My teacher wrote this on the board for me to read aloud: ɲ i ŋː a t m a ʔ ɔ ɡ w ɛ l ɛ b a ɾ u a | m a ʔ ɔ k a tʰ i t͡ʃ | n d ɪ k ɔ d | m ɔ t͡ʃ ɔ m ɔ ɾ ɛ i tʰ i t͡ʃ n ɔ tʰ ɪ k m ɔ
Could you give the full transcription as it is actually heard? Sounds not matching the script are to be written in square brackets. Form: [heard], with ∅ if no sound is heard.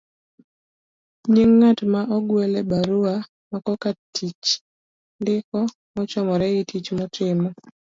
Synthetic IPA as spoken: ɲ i ŋː a t m a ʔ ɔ ɡ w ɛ l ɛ b a ɾ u a | m a [k] ɔ k a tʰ i t͡ʃ | n d ɪ k ɔ [∅] | m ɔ t͡ʃ ɔ m ɔ ɾ ɛ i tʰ i t͡ʃ [m] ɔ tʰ ɪ [∅] m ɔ